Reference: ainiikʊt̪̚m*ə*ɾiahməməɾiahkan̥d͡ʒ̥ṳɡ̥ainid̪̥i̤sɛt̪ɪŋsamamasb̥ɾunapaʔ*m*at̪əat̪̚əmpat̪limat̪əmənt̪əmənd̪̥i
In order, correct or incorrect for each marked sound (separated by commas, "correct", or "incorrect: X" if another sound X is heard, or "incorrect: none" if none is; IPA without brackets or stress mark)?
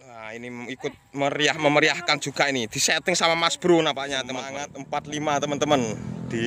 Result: correct, incorrect: ɲ